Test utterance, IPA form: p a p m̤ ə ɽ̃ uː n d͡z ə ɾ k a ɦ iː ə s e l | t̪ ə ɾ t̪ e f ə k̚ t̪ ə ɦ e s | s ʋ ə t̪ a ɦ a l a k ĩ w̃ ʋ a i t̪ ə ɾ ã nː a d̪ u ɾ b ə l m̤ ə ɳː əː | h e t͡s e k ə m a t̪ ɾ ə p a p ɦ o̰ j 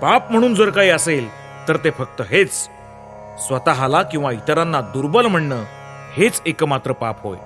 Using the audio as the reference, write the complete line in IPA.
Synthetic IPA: p a p m̤ ə ɽ̃ uː n d͡z ə ɾ k a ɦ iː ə s e l | t̪ ə ɾ t̪ e f ə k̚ t̪ ə ɦ e t͡s | s ʋ ə t̪ a ɦ a l a k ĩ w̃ ʋ a i t̪ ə ɾ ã nː a d̪ u ɾ b ə l m̤ ə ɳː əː | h e t͡s e k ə m a t̪ ɾ ə p a p ɦ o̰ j